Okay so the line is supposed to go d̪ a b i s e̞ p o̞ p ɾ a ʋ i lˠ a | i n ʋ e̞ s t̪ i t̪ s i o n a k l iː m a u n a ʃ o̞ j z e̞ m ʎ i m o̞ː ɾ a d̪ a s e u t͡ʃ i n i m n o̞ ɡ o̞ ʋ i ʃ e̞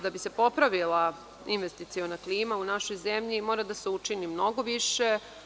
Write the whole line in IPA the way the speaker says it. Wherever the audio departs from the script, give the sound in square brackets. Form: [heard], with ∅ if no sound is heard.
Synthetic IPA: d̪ a b i s e̞ p o̞ p ɾ a ʋ i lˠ a | i n ʋ e̞ s t̪ i t̪ s i o n a k l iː m a u n a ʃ o̞ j z e̞ m ʎ i m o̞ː ɾ a d̪ a s e u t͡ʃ i n i m n o̞ ɡ o̞ ʋ i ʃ e̞